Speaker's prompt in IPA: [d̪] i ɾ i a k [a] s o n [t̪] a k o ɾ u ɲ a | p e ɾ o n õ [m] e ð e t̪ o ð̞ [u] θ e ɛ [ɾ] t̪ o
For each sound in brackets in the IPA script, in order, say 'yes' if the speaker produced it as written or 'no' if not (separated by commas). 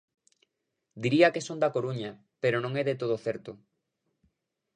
yes, no, no, no, no, yes